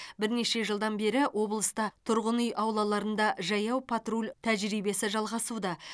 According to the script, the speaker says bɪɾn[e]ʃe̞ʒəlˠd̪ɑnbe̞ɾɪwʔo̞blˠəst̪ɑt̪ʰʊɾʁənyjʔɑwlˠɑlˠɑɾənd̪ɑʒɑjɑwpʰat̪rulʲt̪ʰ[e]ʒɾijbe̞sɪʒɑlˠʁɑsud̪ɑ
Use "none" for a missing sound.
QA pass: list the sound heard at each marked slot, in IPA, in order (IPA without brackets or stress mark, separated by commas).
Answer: e, æ